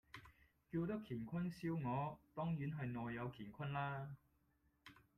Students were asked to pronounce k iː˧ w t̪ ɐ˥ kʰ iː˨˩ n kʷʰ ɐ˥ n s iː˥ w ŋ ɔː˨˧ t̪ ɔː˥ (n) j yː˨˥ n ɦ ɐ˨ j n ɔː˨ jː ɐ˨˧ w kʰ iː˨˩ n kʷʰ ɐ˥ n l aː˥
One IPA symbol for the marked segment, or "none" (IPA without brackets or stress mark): ŋ